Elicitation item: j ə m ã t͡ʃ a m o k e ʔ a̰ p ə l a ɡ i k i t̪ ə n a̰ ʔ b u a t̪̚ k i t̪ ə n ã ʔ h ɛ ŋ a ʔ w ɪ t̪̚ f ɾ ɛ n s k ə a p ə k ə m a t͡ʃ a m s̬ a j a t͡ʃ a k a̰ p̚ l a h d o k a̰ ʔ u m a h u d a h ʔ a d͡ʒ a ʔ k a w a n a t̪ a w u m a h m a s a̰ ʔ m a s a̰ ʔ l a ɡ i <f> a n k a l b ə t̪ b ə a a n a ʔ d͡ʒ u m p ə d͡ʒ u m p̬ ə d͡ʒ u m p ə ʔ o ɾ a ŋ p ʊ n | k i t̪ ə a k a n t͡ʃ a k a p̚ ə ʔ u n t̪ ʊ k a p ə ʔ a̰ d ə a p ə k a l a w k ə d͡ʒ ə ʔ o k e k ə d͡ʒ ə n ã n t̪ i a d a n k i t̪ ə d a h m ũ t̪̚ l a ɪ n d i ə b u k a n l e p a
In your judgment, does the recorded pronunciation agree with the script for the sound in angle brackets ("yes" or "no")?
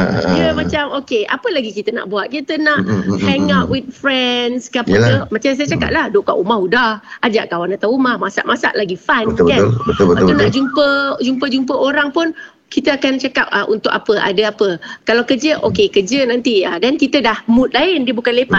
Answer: yes